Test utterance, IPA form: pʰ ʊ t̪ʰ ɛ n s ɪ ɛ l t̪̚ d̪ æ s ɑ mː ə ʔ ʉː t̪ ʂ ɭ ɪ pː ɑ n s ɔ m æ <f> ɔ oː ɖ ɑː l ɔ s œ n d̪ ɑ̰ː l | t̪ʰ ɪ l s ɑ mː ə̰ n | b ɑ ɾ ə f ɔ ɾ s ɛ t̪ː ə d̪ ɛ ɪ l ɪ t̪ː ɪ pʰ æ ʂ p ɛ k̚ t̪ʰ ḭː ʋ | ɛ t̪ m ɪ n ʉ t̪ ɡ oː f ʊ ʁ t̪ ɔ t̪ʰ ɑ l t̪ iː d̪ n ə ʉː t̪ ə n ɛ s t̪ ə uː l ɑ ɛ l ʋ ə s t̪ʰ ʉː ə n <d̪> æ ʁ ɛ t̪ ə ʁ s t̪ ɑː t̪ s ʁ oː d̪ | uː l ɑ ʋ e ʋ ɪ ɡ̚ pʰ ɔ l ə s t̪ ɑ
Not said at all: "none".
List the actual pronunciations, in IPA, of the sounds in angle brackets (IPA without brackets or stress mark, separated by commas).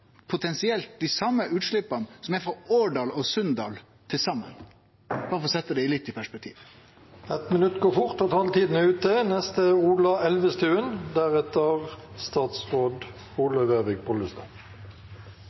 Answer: f, d̪